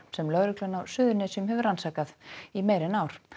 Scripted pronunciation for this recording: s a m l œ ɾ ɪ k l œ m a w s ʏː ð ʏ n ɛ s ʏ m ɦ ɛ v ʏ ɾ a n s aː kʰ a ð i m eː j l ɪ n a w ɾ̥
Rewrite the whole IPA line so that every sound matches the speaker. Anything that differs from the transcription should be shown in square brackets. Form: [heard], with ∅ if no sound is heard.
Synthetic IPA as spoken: s [ɛ] m l œ ɾ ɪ k l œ [n] a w s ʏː ð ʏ n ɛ s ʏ m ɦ ɛ v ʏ ɾ a n s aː [k] a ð i m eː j [ɾ] ɪ n a w ɾ̥